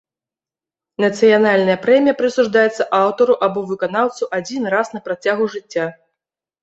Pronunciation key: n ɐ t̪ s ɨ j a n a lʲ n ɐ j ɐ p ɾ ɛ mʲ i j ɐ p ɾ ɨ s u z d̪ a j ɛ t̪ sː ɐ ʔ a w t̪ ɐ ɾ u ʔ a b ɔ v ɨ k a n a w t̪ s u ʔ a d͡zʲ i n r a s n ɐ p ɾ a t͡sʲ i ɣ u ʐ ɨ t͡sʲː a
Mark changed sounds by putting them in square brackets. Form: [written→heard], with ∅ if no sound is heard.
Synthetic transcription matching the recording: n ɐ t̪ s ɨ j a n a lʲ n ɐ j ɐ p ɾ ɛ mʲ i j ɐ p ɾ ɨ s u [z→ʐ] d̪ a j ɛ t̪ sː ɐ ʔ a w t̪ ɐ ɾ u ʔ a b ɔ v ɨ k a n a w t̪ s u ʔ a d͡zʲ i n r a s n ɐ p ɾ a t͡sʲ [i→a] ɣ u ʐ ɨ t͡sʲː a

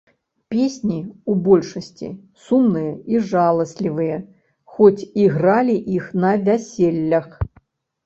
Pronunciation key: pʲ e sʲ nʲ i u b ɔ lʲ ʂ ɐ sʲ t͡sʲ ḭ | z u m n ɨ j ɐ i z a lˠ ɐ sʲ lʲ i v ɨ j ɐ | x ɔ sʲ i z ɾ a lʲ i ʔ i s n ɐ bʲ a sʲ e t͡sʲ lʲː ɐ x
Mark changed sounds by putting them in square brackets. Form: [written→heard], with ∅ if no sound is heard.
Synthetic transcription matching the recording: pʲ e sʲ nʲ i u b ɔ lʲ ʂ ɐ sʲ t͡sʲ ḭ | [z→s] u m n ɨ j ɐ i [z→ʐ] a lˠ ɐ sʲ lʲ i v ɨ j ɐ | x ɔ [sʲ→t͡sʲ] i [z→ɣ] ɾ a lʲ i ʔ i [s→x] n ɐ [bʲ→vʲ] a sʲ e [t͡sʲ→∅] lʲː ɐ x

